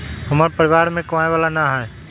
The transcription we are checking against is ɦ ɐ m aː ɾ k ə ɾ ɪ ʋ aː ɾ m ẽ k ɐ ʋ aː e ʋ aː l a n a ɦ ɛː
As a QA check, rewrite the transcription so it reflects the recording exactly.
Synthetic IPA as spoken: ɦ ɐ m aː ɾ p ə ɾ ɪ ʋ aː ɾ m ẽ k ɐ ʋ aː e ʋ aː l a n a ɦ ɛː